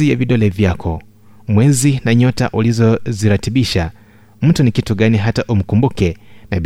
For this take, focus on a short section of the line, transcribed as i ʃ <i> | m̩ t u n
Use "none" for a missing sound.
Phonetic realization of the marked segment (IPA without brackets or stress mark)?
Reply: a